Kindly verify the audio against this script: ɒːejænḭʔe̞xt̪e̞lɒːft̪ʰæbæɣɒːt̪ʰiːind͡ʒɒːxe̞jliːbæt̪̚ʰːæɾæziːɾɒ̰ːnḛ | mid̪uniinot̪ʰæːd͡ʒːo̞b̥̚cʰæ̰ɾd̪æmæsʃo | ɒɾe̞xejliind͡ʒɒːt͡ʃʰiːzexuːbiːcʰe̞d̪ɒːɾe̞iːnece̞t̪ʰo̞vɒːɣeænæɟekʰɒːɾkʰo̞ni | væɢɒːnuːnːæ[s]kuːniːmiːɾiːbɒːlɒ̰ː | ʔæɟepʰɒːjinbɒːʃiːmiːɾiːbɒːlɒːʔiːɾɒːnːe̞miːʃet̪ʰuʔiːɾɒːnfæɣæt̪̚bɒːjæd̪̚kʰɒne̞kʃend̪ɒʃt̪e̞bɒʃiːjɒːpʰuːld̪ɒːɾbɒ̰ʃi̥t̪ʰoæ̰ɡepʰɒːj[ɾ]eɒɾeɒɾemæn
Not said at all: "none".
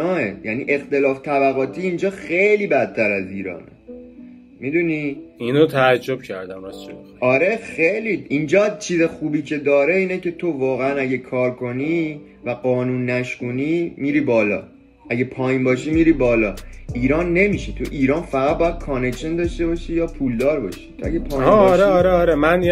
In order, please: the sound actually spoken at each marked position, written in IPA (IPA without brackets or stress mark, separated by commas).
ʃ, ɾ